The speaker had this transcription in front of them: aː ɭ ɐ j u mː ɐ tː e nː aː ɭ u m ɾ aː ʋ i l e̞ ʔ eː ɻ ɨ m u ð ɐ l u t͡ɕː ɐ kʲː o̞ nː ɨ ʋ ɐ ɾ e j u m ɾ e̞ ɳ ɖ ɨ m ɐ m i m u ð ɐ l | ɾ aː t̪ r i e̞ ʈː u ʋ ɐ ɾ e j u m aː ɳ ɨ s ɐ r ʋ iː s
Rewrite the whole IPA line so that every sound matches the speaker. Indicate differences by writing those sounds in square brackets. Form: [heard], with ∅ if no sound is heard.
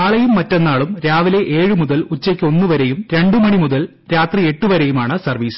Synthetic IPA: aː ɭ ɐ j u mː ɐ tː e nː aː ɭ u m ɾ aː ʋ i l e̞ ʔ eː ɻ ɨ m u ð ɐ l u t͡ɕː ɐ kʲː o̞ nː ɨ ʋ ɐ ɾ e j u m ɾ e̞ ɳ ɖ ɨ m ɐ [ɳ] i m u ð ɐ l | ɾ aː t̪ r i e̞ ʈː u ʋ ɐ ɾ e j u m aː ɳ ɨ s ɐ r ʋ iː s